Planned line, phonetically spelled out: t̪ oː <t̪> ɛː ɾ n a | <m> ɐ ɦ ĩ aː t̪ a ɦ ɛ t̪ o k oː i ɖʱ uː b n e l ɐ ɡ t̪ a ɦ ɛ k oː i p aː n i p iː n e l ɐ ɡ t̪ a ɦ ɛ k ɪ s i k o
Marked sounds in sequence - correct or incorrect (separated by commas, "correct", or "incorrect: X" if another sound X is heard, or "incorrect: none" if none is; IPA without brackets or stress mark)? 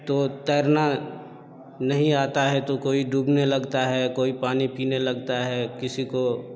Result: correct, incorrect: n